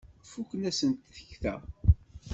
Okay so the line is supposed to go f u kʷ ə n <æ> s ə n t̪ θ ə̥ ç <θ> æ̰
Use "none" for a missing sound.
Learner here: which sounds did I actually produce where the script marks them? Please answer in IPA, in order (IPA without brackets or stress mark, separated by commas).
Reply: æ, θ